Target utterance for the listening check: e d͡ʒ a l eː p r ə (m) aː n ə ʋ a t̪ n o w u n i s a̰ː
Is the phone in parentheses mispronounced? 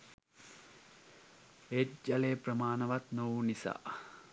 no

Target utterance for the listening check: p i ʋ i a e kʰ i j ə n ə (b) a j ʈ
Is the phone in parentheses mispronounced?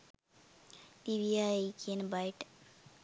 no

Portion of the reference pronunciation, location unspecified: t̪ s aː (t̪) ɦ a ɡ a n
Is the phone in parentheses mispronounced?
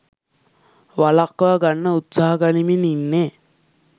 yes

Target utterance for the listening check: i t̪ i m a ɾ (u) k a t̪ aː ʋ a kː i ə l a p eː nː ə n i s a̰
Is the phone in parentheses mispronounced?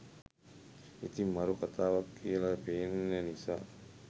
no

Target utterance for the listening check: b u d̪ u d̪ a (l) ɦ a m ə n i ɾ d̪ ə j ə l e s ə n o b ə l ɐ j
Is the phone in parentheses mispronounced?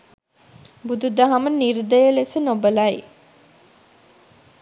yes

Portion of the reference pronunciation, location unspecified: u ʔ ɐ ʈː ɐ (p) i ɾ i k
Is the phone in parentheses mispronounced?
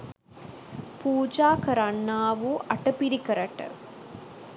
no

